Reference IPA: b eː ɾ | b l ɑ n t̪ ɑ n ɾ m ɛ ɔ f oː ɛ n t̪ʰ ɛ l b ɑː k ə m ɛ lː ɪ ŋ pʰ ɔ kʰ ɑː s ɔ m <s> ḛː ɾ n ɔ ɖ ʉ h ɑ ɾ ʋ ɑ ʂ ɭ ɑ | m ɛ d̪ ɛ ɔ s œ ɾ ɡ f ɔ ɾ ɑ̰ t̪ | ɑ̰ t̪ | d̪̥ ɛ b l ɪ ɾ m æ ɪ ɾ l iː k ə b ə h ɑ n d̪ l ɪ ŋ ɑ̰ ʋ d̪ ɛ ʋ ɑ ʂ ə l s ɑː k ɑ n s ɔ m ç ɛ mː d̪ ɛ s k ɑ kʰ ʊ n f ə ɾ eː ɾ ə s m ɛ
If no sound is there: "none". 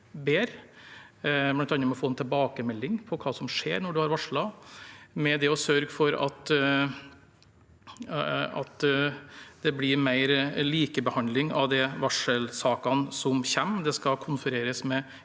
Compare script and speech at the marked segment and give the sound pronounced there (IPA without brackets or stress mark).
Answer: ʂ